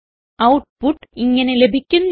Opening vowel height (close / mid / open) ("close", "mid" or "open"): open